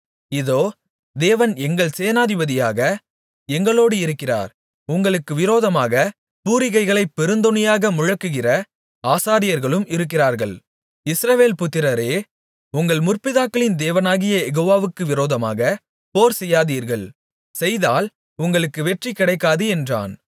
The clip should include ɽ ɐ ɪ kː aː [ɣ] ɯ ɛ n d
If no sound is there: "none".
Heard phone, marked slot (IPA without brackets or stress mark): ð